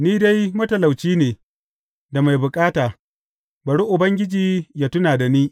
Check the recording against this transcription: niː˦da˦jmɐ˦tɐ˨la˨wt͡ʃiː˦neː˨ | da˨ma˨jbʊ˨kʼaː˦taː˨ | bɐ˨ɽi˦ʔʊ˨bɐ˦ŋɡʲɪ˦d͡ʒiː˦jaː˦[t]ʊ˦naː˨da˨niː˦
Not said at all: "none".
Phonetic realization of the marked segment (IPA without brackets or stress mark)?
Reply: t